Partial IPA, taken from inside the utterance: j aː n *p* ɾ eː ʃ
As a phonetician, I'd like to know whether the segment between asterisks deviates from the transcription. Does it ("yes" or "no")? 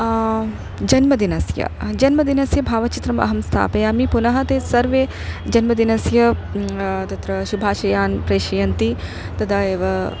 no